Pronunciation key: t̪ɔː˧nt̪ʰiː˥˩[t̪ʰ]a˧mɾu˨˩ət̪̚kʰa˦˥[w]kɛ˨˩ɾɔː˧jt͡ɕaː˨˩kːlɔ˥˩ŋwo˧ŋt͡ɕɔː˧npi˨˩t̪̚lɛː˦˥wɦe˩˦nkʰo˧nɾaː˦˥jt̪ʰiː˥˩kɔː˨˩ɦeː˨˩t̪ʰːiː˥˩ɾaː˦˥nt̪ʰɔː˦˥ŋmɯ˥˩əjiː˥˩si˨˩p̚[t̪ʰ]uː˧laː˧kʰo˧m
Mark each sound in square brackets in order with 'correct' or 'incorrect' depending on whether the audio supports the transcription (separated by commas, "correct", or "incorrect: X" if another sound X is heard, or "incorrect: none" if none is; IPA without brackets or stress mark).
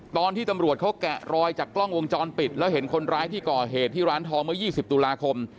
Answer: incorrect: t̪, correct, incorrect: t̪